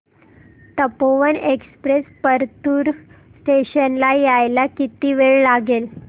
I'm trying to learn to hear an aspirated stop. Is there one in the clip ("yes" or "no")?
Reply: no